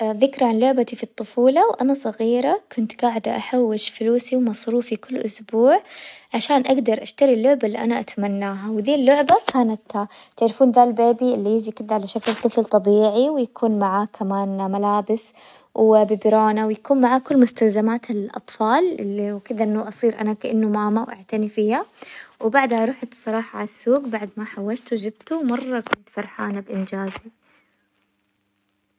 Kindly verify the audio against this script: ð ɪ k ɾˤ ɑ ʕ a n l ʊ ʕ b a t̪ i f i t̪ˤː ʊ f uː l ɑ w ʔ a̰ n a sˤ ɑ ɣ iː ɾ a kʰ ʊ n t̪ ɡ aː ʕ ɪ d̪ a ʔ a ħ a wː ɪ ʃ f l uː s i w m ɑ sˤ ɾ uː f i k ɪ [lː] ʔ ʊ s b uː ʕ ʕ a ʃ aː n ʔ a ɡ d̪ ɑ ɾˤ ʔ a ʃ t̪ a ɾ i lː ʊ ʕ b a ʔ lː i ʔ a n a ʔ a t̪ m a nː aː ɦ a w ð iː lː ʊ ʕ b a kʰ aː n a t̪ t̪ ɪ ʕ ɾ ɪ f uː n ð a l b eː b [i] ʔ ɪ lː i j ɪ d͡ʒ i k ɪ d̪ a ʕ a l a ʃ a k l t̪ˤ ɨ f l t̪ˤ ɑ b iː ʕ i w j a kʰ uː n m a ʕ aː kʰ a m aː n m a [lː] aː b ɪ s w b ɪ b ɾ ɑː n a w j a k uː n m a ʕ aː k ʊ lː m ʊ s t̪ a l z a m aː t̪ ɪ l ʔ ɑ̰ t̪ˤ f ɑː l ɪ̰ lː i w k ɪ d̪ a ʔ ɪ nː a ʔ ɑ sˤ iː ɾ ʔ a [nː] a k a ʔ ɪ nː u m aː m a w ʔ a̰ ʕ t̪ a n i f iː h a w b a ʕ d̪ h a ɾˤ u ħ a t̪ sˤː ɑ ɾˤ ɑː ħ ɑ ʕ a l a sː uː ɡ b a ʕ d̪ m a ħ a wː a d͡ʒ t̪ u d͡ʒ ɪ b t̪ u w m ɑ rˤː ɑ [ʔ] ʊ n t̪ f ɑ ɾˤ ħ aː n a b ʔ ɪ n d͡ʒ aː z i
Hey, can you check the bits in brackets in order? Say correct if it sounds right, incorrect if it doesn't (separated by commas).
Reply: correct, correct, incorrect, incorrect, incorrect